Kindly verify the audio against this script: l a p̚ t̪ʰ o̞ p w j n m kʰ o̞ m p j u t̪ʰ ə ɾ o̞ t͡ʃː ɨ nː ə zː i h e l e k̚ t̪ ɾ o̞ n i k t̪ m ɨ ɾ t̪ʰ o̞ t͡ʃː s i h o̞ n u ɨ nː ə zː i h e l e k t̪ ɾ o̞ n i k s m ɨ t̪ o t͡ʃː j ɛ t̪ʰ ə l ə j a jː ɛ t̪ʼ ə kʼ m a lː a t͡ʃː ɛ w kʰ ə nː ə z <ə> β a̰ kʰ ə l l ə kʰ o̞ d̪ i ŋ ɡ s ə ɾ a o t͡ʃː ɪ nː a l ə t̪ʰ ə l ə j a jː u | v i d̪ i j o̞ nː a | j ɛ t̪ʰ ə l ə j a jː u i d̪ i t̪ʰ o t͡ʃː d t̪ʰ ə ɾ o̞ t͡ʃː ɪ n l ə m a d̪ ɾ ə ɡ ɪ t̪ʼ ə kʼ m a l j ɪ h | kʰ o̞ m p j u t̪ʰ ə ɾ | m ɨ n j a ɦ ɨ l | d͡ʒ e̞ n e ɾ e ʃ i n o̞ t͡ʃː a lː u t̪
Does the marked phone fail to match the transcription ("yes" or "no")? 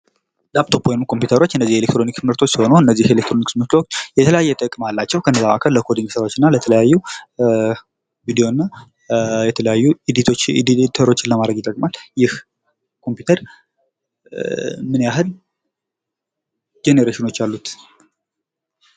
yes